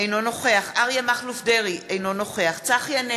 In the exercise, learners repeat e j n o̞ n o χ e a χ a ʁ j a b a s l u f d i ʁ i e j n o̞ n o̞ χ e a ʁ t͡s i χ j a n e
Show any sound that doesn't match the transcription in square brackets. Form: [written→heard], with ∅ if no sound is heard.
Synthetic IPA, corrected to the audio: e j n o̞ n o χ e a χ a ʁ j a [b→m] a [s→χ] l u f d [i→e] ʁ i e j n o̞ n o̞ χ e a [ʁ→χ] t͡s [i→a] χ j a n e